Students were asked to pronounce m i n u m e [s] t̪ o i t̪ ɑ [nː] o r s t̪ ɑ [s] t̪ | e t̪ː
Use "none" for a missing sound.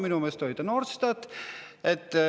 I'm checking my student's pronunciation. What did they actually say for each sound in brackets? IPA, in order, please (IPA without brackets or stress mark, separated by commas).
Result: s, n, none